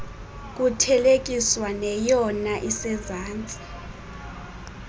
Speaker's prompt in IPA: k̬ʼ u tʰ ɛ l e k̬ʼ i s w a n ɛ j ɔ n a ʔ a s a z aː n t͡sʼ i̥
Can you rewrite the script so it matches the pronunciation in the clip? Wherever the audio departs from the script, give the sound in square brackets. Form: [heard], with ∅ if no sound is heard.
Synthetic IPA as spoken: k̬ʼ u tʰ ɛ l e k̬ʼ i s w a n ɛ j ɔ n a ʔ [i] s [ɛ] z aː n t͡sʼ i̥